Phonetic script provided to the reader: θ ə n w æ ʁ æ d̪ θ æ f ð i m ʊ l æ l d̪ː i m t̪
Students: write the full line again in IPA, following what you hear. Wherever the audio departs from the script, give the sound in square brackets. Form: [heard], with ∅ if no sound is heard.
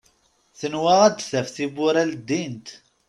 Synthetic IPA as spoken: θ ə n w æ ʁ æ d̪ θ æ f [θ] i [b] ʊ [ɾ] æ l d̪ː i [n] t̪